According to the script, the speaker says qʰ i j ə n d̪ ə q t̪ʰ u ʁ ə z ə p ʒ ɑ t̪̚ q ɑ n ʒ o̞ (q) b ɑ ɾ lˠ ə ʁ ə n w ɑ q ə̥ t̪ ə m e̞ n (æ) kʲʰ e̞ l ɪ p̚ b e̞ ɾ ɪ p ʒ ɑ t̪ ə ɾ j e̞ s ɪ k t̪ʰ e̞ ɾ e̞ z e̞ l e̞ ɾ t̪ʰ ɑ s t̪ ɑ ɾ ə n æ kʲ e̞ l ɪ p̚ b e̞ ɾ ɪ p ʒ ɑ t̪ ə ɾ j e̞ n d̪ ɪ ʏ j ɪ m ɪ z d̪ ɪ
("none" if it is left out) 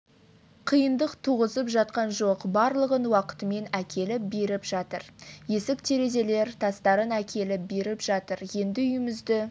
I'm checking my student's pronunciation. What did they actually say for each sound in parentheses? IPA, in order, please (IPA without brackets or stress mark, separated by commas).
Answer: q, æ